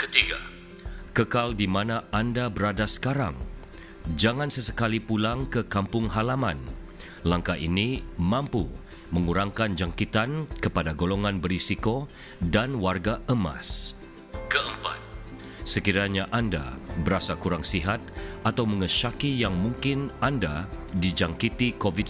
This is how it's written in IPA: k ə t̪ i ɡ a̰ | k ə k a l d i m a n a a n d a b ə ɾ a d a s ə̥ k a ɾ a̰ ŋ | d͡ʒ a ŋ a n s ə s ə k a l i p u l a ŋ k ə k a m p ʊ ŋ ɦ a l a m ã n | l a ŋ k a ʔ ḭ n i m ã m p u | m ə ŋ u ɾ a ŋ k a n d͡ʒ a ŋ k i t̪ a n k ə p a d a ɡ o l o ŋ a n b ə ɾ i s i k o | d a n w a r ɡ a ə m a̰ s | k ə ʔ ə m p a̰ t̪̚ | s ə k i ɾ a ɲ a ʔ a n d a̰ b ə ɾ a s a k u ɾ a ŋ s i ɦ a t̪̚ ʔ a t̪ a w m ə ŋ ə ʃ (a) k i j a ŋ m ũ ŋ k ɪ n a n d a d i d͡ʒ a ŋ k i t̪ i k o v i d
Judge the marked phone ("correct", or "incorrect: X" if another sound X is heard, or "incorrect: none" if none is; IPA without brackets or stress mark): correct